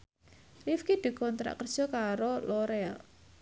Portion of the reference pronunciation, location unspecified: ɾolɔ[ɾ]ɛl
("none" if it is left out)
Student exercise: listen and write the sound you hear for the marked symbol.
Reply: ɾ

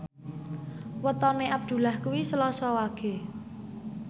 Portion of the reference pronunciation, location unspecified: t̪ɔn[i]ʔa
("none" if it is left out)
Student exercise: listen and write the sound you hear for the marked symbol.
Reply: e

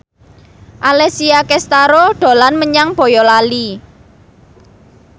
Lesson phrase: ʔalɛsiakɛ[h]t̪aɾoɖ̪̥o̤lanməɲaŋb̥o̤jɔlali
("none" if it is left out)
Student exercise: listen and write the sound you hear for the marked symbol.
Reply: s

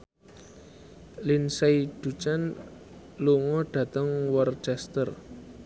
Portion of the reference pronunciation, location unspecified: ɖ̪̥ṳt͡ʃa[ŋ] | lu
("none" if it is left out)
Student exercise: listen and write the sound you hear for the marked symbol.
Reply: n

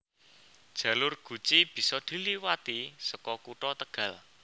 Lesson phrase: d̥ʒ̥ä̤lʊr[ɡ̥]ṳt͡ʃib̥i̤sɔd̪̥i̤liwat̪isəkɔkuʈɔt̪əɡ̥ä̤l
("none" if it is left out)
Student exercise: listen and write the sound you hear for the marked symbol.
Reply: ɡ̥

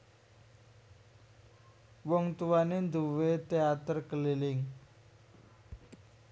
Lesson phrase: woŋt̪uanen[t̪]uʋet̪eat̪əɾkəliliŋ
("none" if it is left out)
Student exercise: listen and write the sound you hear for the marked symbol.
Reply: d̪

